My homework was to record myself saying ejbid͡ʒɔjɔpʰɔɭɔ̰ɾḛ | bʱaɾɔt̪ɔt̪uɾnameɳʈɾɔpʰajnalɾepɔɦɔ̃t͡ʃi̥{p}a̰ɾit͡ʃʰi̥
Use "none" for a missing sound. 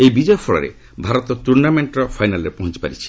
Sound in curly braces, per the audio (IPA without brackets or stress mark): p